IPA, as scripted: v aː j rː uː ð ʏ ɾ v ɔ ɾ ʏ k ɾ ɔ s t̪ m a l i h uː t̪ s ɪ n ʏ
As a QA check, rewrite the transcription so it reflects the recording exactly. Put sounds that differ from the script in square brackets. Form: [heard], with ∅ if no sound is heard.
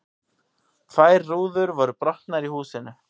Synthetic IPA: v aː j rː uː ð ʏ ɾ v ɔ ɾ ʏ [p] ɾ ɔ [h] t̪ [n] a [ɾ] i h uː [∅] s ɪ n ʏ